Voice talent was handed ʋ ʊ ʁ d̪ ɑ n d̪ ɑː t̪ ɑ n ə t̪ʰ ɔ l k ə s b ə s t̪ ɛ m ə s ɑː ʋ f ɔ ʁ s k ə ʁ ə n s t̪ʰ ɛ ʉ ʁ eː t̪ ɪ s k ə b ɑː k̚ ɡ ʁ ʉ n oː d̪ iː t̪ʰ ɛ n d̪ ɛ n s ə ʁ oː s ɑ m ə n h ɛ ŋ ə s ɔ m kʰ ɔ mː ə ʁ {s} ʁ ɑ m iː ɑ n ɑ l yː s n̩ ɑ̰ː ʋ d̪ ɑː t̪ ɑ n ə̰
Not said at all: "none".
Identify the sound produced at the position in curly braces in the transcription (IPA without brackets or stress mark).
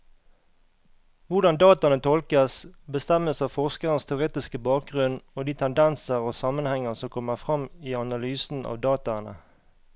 f